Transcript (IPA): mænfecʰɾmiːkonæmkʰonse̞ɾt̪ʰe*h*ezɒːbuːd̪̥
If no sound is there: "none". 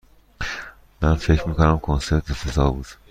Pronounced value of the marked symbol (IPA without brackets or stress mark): f